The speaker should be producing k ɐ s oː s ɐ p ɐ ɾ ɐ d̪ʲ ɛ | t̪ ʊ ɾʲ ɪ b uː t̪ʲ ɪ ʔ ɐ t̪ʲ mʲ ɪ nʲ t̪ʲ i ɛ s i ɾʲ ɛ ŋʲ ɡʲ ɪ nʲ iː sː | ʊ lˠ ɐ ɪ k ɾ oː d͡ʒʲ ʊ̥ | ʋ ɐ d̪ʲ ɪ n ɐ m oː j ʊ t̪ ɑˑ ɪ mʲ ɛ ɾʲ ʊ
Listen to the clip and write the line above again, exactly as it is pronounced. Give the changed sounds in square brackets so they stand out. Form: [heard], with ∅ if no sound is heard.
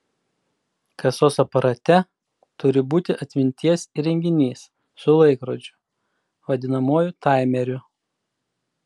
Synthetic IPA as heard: k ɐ s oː s ɐ p ɐ ɾ ɐ [t̪ʲ] ɛ | t̪ ʊ ɾʲ ɪ b uː t̪ʲ ɪ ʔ ɐ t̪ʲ mʲ ɪ nʲ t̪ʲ i ɛ s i ɾʲ ɛ ŋʲ ɡʲ ɪ nʲ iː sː | ʊ lˠ ɐ ɪ k ɾ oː d͡ʒʲ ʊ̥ | ʋ ɐ d̪ʲ ɪ n ɐ m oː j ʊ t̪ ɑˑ ɪ mʲ ɛ ɾʲ ʊ